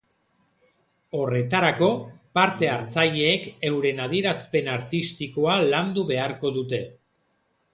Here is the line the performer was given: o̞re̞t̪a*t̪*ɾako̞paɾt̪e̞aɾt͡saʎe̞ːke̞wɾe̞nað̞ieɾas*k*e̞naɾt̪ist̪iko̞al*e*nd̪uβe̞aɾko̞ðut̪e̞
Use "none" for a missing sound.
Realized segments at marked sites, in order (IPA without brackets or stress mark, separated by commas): none, p, a